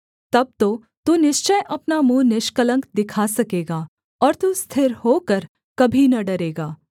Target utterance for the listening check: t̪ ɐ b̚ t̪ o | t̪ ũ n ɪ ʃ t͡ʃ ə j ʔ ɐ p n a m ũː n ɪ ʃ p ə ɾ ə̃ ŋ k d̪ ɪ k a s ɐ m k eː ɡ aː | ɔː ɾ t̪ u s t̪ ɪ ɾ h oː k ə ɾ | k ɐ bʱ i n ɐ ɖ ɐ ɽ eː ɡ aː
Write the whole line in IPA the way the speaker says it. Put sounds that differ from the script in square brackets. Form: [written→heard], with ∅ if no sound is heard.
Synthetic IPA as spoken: t̪ ɐ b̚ t̪ o | t̪ [ũ→u] n ɪ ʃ t͡ʃ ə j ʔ ɐ p n a m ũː n ɪ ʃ [p→k] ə [ɾ→l] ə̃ ŋ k d̪ ɪ [k→kʰ] a s ɐ [m→∅] k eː ɡ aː | ɔː ɾ t̪ u s [t̪→t̪ʰ] ɪ ɾ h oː k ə ɾ | k ɐ bʱ i n ɐ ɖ ɐ [ɽ→ɾ] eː ɡ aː